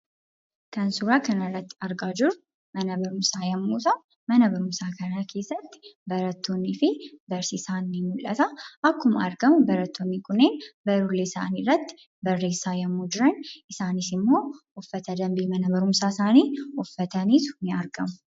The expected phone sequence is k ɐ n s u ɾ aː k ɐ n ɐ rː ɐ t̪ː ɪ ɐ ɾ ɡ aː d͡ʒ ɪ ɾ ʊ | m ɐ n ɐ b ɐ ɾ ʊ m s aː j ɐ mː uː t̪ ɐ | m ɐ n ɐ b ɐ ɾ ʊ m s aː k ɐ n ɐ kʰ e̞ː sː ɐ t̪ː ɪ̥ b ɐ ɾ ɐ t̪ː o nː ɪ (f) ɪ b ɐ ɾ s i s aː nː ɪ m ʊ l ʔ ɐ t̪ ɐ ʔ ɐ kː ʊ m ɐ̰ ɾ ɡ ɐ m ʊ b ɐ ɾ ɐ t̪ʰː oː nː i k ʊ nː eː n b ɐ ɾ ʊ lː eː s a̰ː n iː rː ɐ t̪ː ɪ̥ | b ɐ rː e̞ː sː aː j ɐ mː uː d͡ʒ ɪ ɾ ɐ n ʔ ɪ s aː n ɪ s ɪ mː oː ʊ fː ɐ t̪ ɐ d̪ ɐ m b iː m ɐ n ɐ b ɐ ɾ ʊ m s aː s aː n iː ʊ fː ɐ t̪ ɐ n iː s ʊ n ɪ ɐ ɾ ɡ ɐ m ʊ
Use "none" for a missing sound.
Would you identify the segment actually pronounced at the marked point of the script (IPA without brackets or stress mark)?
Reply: f